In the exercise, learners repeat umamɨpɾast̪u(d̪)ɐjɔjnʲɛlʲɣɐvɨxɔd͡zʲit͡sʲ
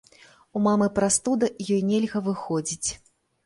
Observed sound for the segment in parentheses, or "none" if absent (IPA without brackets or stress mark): d̪